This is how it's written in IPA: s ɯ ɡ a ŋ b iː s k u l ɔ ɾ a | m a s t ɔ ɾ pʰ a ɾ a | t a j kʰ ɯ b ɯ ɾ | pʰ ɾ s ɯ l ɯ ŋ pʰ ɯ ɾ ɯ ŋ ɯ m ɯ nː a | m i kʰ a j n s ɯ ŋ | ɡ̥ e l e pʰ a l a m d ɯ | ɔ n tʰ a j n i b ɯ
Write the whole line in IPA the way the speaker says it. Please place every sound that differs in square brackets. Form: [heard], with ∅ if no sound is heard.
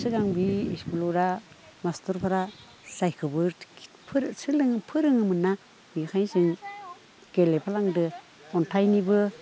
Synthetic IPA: s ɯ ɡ a ŋ b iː s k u l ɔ ɾ a | m a s t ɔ ɾ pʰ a ɾ a | [s] a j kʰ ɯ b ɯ ɾ | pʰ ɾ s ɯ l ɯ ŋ pʰ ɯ ɾ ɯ ŋ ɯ m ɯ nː a | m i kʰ a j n s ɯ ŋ | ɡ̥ e l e pʰ a l a [ŋ] d ɯ | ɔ n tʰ a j n i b ɯ